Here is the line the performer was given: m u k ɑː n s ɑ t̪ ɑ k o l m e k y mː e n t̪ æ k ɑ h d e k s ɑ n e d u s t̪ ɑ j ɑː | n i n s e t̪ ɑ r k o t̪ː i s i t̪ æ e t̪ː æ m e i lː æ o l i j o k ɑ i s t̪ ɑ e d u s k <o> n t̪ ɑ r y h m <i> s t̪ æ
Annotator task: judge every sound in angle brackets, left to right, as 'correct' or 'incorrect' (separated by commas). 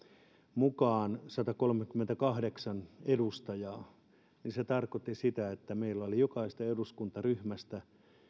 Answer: incorrect, incorrect